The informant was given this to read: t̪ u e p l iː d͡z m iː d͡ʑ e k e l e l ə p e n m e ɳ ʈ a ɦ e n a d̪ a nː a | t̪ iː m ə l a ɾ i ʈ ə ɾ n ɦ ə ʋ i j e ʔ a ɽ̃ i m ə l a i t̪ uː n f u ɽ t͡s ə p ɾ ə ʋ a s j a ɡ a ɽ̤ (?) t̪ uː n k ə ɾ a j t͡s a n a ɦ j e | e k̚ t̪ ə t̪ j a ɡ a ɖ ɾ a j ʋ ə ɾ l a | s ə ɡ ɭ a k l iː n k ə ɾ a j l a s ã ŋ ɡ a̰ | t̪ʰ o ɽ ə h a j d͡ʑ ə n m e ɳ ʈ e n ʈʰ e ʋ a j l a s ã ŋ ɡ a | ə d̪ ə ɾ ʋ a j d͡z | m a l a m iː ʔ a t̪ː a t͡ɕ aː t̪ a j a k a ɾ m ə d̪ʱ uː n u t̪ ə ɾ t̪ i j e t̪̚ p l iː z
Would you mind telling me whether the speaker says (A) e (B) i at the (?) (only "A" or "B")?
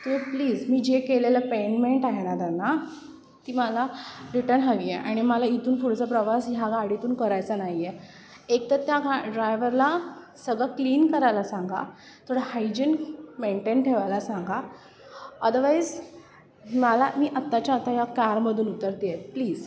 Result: B